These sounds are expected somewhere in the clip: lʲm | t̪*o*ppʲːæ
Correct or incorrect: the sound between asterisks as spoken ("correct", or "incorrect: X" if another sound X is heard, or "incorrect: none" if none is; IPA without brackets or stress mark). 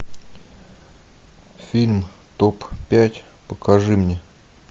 correct